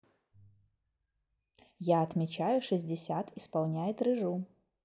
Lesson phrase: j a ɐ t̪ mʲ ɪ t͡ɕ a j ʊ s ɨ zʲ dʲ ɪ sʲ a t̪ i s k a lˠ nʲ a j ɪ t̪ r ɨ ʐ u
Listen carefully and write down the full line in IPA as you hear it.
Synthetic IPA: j a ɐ t̪ mʲ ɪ t͡ɕ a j ʊ ʂ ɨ zʲ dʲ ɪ sʲ a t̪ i s p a lˠ nʲ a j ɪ t̪ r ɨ ʐ u